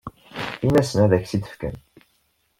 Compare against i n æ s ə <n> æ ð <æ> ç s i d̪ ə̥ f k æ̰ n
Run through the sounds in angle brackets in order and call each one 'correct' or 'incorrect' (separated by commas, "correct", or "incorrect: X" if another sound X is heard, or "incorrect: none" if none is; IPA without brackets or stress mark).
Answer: correct, correct